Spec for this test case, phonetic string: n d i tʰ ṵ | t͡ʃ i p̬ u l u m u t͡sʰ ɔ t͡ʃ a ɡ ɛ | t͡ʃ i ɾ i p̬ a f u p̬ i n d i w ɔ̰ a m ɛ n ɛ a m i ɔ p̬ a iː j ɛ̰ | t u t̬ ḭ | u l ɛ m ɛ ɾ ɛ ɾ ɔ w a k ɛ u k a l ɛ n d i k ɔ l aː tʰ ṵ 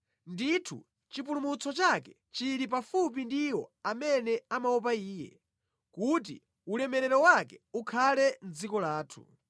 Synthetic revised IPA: n d i tʰ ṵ | t͡ʃ i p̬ u l u m u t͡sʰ ɔ t͡ʃ a k ɛ | t͡ʃ i ɾ i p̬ a f u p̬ i n d i w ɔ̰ a m ɛ n ɛ a m a ɔ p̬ a iː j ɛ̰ | k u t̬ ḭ | u l ɛ m ɛ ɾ ɛ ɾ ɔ w a k ɛ u kʰ a l ɛ n d͡z i k ɔ l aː tʰ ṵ